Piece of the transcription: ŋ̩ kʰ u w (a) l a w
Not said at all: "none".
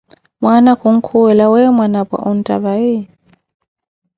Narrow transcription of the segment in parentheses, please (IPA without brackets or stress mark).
ɛ